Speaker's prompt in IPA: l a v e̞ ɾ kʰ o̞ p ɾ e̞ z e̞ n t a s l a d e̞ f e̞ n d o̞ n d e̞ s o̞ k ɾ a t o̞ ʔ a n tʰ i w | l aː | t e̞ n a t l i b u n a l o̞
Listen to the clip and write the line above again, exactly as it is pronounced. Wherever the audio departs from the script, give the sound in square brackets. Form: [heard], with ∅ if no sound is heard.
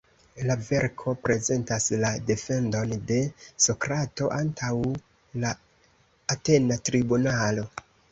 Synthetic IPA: l a v e̞ ɾ kʰ o̞ p ɾ e̞ z e̞ n t a s l a d e̞ f e̞ n d o̞ n d e̞ s o̞ k ɾ a t o̞ ʔ a n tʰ [a] w | l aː | t e̞ n a t [ɾ] i b u n a l o̞